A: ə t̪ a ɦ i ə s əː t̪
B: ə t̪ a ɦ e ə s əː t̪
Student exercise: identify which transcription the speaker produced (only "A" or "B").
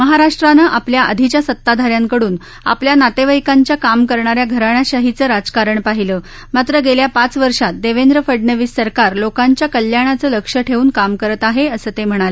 B